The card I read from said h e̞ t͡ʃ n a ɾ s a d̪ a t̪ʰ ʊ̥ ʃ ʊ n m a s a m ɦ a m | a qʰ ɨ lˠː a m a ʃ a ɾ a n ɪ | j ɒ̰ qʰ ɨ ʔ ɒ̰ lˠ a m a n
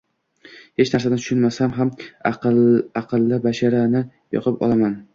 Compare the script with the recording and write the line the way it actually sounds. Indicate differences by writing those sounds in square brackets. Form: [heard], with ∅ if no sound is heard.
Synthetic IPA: h e̞ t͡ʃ n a ɾ s a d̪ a t̪ʰ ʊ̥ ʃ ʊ n m a s a m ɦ a m | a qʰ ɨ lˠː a [b] a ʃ a ɾ a n ɪ | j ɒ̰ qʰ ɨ [p] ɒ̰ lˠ a m a n